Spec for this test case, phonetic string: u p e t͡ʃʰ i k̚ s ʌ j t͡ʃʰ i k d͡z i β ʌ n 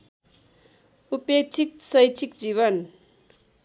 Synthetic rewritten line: u p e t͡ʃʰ i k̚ s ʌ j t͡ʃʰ i k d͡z i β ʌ n